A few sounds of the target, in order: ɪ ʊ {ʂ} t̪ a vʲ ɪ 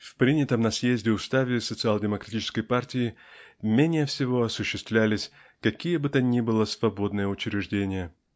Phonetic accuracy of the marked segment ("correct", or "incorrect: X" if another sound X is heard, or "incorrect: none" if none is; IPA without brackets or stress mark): incorrect: s